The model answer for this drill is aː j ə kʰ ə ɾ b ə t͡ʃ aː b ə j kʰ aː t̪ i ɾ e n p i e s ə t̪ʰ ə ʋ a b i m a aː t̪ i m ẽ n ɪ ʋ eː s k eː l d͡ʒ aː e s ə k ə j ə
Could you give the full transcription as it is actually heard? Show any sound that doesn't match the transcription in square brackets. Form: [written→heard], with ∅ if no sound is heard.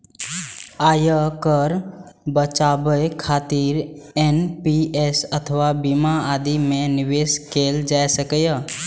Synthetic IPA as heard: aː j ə [kʰ→k] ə ɾ b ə t͡ʃ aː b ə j kʰ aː t̪ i ɾ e n p i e s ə t̪ʰ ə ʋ a b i m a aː [t̪→d̪] i m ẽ n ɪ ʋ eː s k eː l d͡ʒ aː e s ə k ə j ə